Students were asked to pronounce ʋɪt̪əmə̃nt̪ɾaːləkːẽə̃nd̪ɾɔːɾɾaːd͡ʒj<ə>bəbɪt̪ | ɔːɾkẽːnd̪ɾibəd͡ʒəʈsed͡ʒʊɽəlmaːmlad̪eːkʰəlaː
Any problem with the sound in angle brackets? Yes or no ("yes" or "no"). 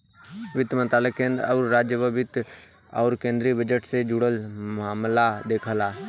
no